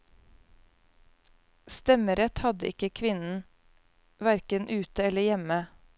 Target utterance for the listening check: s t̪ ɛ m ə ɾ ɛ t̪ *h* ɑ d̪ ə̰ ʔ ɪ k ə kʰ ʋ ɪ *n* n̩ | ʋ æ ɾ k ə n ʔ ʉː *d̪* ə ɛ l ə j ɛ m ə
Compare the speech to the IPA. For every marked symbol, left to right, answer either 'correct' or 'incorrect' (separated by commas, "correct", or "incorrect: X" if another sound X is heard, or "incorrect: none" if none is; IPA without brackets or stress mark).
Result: correct, correct, incorrect: t̪